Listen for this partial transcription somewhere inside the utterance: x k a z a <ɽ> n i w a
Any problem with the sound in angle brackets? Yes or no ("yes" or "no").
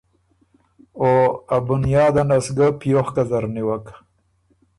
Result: yes